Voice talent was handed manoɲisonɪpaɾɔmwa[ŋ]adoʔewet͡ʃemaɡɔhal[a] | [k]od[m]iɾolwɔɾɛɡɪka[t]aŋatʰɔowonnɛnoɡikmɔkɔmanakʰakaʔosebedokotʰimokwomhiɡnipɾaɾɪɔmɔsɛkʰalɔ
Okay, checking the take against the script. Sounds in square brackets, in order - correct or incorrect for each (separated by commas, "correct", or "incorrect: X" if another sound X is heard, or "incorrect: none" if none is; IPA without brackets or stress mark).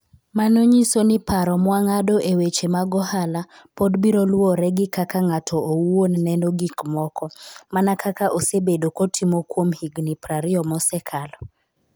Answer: correct, correct, incorrect: p, incorrect: b, incorrect: k